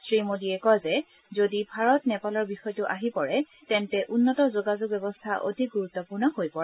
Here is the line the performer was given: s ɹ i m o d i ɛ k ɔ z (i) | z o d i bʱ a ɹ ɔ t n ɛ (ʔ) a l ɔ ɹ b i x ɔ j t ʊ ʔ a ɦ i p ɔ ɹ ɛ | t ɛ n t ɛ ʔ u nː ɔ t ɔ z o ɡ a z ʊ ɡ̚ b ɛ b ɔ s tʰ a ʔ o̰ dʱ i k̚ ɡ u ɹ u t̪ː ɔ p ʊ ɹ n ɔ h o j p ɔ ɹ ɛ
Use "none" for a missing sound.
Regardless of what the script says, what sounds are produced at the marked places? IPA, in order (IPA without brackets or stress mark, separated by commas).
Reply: ɛ, p